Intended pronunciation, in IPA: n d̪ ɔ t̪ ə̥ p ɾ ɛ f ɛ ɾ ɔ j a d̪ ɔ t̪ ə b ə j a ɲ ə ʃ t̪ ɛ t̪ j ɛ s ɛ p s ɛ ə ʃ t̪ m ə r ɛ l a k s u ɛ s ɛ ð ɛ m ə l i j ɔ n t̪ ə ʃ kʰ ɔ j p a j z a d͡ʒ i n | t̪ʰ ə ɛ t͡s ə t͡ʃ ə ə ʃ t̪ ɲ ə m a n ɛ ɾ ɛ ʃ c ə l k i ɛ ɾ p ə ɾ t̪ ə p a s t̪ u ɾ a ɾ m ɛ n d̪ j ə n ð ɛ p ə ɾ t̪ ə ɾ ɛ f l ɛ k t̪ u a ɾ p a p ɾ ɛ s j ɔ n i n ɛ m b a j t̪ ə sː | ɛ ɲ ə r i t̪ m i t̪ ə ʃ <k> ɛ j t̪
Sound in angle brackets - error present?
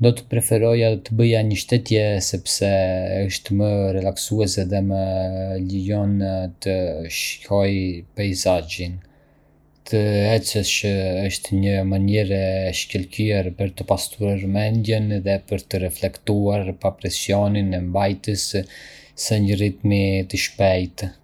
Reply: yes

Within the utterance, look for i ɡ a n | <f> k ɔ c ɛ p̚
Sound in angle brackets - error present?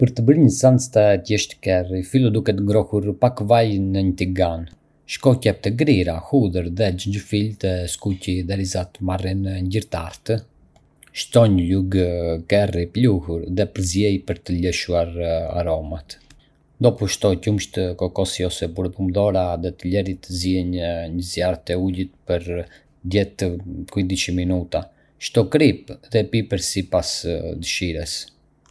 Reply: yes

